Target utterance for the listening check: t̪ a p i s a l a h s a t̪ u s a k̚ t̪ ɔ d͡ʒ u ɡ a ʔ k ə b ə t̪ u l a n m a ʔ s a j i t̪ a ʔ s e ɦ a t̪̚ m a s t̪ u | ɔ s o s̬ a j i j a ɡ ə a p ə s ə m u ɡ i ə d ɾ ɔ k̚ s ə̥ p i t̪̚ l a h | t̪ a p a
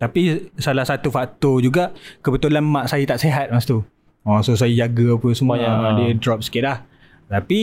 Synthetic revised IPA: t̪ a p i s a l a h s a t̪ u f a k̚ t̪ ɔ d͡ʒ u ɡ a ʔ k ə b ə t̪ u l a n m a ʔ s a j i t̪ a ʔ s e ɦ a t̪̚ m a s t̪ u | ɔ s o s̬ a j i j a ɡ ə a p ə s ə m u d i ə d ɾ ɔ p̚ s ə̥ k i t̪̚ l a h | t̪ a p i